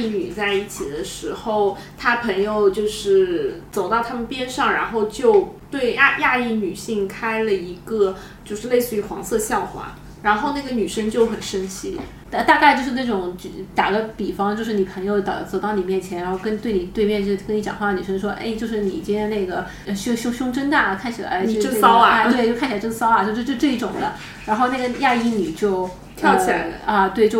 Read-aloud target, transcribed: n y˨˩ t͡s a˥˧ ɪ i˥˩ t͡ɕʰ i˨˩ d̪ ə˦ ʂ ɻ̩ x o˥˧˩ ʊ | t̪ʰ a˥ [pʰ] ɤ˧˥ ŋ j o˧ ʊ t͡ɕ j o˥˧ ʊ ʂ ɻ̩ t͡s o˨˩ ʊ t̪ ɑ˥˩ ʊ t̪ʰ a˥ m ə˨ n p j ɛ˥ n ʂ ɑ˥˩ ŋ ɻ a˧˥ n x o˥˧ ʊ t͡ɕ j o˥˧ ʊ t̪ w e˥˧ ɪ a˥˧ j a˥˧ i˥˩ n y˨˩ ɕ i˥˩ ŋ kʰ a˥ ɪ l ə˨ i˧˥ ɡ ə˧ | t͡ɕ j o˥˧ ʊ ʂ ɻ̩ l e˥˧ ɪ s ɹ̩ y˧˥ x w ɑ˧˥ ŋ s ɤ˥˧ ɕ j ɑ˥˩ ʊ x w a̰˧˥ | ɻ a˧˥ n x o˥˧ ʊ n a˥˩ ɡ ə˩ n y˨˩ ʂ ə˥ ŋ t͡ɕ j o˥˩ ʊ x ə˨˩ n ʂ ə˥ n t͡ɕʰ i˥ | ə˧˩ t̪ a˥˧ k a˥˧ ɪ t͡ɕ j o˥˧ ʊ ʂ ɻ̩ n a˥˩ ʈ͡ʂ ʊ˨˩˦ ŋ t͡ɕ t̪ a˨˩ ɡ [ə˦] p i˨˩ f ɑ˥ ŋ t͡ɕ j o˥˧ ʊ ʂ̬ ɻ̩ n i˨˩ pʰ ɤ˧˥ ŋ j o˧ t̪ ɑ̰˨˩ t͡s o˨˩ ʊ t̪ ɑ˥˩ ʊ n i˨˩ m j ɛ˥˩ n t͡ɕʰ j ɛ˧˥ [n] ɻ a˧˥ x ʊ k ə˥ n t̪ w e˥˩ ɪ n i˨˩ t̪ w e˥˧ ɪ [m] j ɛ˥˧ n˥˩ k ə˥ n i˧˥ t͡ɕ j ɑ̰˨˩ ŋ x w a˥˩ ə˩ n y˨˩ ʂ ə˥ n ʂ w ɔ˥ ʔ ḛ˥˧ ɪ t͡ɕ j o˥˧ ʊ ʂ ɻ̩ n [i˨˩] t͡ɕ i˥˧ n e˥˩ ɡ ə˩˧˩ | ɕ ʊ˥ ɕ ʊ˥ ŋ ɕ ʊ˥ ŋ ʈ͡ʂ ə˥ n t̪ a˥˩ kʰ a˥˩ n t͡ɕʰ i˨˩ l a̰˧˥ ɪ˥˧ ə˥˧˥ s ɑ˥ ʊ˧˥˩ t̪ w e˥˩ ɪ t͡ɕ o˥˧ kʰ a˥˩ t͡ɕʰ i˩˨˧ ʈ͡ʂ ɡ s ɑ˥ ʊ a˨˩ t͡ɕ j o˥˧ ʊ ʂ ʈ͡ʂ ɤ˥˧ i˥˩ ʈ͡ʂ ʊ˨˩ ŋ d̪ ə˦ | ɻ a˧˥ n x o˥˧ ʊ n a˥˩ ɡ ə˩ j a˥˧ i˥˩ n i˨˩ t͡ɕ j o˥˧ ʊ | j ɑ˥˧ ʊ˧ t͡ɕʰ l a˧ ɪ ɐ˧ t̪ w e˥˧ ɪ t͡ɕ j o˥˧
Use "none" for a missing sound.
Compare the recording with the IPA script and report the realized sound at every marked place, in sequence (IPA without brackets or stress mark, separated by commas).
pʰ, ə˦, n, m, i˨˩